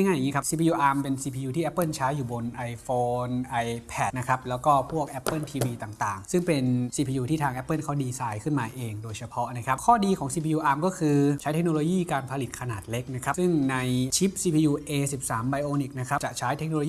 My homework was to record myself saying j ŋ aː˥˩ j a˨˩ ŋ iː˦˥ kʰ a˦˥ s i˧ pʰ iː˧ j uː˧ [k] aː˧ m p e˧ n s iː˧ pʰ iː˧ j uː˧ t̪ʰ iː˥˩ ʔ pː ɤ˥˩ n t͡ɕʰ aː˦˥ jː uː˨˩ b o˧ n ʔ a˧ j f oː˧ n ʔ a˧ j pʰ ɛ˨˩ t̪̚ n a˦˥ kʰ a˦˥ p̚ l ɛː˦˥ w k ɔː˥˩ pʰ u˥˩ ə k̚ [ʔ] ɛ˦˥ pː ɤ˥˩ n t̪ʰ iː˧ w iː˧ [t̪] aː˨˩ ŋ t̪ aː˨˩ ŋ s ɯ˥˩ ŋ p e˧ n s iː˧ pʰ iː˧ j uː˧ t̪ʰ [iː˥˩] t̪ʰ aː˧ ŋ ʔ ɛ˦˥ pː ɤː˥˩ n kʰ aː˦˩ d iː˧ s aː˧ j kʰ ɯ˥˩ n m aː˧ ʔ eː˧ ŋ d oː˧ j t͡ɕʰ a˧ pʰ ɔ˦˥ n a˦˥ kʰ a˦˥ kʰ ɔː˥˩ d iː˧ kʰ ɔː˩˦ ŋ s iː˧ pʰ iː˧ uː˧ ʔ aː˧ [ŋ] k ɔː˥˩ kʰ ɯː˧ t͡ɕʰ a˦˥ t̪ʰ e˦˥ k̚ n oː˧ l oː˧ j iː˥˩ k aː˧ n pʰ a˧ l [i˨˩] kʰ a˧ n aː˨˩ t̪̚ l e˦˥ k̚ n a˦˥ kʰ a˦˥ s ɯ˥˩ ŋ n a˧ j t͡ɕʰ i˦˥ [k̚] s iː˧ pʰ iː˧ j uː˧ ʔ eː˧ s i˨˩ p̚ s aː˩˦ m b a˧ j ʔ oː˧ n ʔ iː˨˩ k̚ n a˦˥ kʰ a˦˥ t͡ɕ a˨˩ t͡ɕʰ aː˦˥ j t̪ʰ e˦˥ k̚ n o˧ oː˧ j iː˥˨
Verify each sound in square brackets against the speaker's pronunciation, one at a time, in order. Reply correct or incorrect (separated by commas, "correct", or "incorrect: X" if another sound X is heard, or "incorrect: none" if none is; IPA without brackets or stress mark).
incorrect: ʔ, correct, correct, correct, incorrect: m, correct, incorrect: p̚